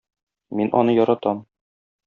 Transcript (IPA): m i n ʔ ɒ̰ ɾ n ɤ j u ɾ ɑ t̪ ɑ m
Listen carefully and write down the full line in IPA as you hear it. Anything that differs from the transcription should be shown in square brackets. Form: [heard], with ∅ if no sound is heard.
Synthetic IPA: m i n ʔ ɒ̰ [∅] n ɤ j [ɒ] ɾ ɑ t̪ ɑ m